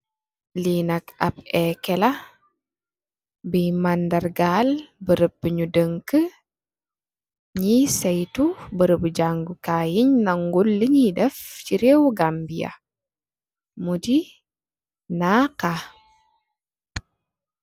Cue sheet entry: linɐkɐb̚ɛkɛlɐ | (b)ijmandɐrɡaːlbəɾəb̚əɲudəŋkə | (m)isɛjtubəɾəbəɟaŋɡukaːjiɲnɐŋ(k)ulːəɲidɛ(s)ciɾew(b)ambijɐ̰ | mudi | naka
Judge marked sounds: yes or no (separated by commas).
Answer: yes, no, no, no, no